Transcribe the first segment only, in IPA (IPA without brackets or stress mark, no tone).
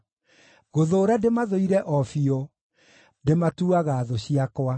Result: ɣ